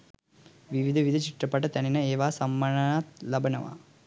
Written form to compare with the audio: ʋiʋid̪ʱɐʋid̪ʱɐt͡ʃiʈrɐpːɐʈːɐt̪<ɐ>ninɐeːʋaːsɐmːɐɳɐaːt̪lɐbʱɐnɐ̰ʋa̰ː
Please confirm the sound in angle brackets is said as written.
yes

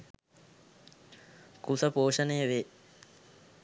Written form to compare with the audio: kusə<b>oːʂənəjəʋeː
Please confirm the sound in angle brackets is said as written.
no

